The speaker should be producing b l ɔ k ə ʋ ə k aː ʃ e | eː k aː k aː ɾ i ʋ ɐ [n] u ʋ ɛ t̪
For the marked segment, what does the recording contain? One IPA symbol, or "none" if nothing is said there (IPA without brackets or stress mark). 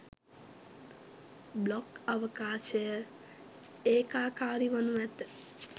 n